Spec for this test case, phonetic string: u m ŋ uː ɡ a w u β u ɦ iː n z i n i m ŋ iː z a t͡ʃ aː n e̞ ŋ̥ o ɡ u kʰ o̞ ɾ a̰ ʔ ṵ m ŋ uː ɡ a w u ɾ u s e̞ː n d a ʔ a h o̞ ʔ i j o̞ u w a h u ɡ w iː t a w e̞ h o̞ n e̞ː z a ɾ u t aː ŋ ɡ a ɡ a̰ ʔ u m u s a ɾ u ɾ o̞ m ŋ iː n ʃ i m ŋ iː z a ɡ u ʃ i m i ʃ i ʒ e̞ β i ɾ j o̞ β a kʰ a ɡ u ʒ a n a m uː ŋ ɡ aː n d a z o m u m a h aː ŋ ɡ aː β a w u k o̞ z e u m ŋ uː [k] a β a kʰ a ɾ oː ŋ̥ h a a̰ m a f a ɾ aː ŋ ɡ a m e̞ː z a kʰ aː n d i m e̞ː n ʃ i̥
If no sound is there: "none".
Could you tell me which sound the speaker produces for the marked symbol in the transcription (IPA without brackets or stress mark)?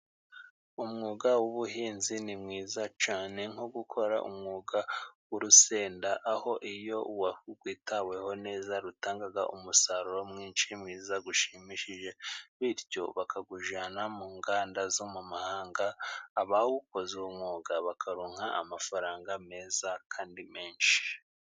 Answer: ɡ